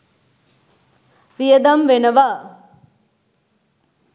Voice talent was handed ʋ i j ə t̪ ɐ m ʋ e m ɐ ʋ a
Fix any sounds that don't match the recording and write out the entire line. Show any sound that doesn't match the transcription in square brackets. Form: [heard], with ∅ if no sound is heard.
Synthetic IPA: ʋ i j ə [d̪] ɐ m ʋ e [n] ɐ ʋ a